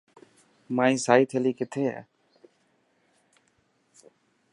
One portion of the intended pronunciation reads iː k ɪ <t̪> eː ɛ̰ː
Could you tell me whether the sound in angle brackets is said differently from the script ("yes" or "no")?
yes